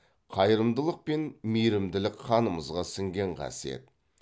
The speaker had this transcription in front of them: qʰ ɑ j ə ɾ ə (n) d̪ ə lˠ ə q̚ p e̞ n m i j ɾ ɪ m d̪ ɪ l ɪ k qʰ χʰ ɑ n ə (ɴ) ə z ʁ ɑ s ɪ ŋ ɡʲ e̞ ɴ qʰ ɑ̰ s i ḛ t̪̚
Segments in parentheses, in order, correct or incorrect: incorrect: m, incorrect: m

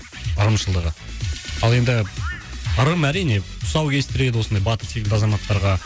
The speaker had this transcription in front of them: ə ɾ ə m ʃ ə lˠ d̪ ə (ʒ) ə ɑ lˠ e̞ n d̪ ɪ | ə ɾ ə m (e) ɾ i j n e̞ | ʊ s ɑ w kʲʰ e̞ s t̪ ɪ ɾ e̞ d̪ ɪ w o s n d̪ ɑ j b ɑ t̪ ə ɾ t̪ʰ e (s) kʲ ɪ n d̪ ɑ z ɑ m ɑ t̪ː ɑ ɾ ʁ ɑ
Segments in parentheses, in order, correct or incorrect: incorrect: ʁ, incorrect: æ, incorrect: none

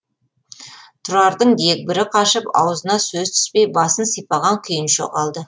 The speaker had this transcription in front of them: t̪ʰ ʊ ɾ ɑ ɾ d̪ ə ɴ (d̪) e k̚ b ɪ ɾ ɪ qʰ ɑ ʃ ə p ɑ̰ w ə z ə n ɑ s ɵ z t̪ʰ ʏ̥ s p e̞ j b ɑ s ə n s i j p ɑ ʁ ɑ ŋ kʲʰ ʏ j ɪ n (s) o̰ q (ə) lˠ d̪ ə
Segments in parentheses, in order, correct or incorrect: correct, incorrect: ʃ, incorrect: ɑ

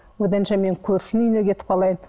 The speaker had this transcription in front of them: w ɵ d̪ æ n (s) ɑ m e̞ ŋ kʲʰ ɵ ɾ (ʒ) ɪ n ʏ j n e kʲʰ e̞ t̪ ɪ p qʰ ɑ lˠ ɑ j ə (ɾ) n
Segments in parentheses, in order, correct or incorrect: incorrect: ʃ, incorrect: ʃ, incorrect: none

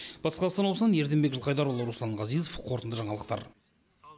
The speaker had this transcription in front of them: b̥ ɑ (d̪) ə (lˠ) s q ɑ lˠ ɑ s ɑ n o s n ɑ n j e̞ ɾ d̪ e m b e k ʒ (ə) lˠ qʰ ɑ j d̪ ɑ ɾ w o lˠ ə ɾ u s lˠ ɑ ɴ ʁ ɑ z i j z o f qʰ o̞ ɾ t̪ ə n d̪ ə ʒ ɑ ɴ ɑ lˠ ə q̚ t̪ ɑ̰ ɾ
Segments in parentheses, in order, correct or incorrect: incorrect: t̪, incorrect: none, correct

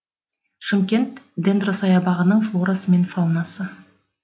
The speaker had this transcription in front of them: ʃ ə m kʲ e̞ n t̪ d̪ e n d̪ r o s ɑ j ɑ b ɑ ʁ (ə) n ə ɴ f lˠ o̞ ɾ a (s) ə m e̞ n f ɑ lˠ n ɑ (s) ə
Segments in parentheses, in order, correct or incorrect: correct, correct, correct

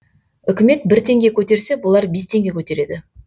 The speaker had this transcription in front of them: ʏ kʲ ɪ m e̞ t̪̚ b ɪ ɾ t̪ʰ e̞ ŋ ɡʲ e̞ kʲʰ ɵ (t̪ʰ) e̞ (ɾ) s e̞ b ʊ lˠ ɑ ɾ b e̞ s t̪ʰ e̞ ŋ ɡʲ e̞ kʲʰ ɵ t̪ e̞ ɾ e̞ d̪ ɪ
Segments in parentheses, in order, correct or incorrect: incorrect: t̪, correct

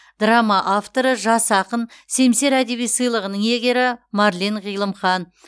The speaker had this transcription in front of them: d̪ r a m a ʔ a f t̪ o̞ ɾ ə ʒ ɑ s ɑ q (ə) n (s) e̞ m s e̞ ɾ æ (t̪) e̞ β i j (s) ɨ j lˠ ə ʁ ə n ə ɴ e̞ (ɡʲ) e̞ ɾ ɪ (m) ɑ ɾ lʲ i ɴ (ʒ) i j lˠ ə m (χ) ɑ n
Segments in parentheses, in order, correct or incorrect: correct, correct, incorrect: d̪, correct, correct, correct, incorrect: ʁ, correct

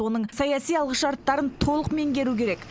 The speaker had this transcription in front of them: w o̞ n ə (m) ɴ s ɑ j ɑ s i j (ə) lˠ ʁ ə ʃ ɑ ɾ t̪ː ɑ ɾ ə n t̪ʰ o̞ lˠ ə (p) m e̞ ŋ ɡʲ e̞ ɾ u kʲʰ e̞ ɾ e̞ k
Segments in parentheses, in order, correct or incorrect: incorrect: none, incorrect: ɑ, incorrect: q

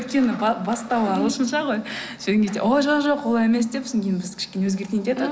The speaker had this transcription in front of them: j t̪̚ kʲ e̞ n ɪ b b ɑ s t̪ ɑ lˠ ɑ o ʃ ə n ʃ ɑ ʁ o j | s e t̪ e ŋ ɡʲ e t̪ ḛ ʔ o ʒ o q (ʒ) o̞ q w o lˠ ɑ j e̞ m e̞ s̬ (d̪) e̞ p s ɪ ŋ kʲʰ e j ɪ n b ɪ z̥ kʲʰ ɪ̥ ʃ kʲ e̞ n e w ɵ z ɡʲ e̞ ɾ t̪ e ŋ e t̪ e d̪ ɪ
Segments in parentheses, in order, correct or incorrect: correct, correct

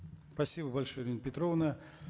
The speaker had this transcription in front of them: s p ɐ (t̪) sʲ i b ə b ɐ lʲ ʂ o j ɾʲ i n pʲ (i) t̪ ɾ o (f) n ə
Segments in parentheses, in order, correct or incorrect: incorrect: none, incorrect: ɪ, incorrect: v

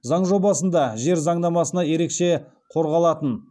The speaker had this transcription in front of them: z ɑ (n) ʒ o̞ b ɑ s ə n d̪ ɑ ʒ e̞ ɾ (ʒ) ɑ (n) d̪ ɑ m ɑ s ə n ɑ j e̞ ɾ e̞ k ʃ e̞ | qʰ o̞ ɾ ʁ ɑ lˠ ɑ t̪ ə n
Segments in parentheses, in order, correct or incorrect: incorrect: ɴ, incorrect: z, incorrect: ɴ

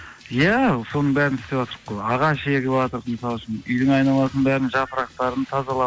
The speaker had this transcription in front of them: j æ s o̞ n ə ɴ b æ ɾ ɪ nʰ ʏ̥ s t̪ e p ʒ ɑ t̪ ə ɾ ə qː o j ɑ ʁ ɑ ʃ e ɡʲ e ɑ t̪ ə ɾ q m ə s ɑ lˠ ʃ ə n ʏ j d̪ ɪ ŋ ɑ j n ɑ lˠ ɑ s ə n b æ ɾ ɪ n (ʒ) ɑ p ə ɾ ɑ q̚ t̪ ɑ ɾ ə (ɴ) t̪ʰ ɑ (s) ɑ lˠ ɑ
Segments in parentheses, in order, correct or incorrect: correct, incorrect: n, incorrect: z

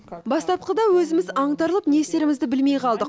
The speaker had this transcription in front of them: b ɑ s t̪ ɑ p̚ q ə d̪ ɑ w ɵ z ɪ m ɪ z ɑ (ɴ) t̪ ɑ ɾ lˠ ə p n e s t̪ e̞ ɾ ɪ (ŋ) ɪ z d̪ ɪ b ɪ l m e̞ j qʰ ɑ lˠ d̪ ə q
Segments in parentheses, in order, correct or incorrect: correct, incorrect: m

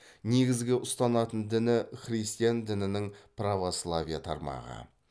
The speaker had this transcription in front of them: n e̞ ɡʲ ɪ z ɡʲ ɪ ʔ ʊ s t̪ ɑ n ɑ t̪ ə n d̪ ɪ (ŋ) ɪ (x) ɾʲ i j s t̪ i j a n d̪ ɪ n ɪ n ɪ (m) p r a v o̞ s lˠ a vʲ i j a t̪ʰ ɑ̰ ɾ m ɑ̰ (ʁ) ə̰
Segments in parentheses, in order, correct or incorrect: incorrect: n, incorrect: χ, incorrect: ŋ, correct

